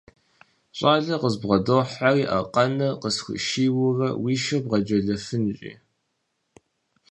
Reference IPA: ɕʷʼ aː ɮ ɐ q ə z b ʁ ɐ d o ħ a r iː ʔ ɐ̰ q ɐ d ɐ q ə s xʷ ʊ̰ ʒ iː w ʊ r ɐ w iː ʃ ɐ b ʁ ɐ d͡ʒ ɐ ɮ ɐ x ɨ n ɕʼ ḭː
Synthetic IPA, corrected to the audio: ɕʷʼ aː ɮ ɐ q ə z b ʁ ɐ d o ħ a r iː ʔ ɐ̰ q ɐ n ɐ q ə s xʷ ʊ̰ ʃ iː w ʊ r ɐ w iː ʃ ɐ b ʁ ɐ d͡ʒ ɐ ɮ ɐ f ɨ n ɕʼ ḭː